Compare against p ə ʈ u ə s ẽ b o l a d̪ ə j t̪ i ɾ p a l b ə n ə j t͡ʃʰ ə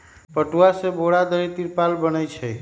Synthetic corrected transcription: p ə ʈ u a s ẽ b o ɽ a d̪ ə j t̪ i ɾ p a l b ə n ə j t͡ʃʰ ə